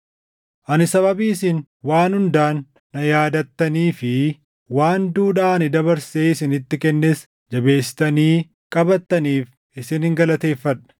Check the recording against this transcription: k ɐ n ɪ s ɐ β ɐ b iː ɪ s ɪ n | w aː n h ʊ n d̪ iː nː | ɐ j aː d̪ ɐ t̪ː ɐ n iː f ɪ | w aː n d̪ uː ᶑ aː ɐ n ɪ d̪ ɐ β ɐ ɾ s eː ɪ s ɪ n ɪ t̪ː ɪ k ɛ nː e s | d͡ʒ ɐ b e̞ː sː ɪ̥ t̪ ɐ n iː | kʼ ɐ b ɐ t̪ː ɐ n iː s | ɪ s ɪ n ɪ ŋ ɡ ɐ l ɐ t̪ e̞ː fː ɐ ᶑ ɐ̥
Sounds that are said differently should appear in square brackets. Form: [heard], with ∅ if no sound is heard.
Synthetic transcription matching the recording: [ʔ] ɐ n ɪ s ɐ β ɐ b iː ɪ s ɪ n | w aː n h ʊ n d̪ [aː] nː | ɐ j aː d̪ ɐ t̪ː ɐ n iː f ɪ | w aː n d̪ uː ᶑ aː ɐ n ɪ d̪ ɐ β ɐ ɾ s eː ɪ s ɪ n ɪ t̪ː ɪ k ɛ nː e s | d͡ʒ ɐ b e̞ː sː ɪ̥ t̪ ɐ n iː | kʼ ɐ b ɐ t̪ː ɐ n iː [f] | ɪ s ɪ n ɪ ŋ ɡ ɐ l ɐ t̪ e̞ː fː ɐ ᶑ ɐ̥